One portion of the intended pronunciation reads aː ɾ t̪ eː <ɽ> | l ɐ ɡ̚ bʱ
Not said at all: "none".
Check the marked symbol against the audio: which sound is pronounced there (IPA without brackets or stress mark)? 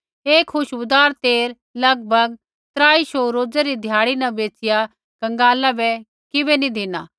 ɾ